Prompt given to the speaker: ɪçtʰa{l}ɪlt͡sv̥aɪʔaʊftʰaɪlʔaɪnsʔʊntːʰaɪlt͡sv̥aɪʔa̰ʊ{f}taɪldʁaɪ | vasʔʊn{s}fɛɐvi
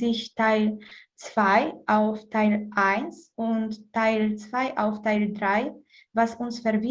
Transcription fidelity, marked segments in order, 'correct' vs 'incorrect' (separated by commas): incorrect, correct, correct